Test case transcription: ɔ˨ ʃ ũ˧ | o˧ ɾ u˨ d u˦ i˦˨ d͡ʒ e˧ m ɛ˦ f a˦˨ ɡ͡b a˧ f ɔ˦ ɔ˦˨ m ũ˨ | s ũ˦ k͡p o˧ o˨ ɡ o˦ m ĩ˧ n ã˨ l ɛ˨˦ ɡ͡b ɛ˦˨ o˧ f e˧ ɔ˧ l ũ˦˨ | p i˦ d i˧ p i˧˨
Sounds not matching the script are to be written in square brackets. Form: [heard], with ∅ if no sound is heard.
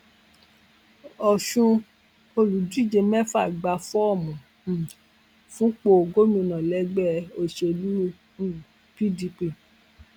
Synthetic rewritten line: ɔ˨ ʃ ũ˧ | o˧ [l] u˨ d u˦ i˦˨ d͡ʒ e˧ m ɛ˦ f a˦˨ ɡ͡b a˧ f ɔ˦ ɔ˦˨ m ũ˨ | [f] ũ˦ k͡p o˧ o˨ ɡ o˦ m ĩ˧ n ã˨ l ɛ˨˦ ɡ͡b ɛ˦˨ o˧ [ʃ] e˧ [o˧] l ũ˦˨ | p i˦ d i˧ p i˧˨